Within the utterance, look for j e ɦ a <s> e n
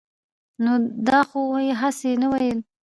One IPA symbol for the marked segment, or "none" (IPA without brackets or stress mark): s